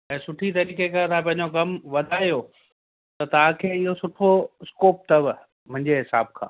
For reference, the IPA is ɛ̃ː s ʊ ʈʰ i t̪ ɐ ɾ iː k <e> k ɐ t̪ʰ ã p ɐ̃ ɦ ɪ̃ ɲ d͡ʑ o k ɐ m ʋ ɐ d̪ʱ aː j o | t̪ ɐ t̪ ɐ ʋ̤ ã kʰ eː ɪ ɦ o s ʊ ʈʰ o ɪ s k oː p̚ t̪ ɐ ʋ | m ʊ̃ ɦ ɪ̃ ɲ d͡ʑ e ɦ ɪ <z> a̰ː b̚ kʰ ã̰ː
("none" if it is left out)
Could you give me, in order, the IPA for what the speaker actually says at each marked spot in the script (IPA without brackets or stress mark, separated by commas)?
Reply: e, s